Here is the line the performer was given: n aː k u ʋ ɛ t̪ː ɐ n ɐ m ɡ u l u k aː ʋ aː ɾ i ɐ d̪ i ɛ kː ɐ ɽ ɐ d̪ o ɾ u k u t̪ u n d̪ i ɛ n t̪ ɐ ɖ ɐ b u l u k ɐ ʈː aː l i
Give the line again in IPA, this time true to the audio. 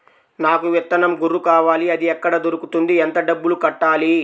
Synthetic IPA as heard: n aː k u ʋ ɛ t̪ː ɐ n ɐ m ɡ u ɾ u k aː ʋ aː l i ɐ d̪ i ɛ kː ɐ ɽ ɐ d̪ o ɾ u k u t̪ u n d̪ i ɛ n t̪ ɐ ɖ ɐ bː u l u k ɐ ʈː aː l i